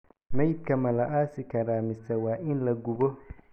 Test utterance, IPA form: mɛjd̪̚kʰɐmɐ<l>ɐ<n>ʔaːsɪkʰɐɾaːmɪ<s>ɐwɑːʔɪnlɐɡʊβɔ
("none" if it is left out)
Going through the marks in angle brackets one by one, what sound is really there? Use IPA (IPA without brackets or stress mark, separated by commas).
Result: l, none, s